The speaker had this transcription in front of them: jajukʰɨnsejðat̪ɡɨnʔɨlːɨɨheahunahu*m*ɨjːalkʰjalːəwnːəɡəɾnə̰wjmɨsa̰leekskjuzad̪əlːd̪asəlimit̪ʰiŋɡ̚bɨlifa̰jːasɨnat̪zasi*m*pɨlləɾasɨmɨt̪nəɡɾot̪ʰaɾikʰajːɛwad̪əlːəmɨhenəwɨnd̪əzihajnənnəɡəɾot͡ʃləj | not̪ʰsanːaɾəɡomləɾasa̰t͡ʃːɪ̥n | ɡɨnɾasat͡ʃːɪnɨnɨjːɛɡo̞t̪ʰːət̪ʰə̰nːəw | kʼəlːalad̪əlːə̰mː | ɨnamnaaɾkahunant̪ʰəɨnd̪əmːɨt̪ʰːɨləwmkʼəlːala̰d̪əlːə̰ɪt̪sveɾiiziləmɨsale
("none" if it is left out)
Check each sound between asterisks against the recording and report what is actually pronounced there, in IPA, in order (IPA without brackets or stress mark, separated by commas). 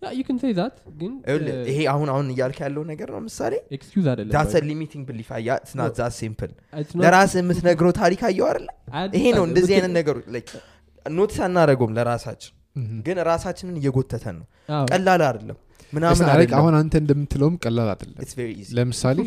n, m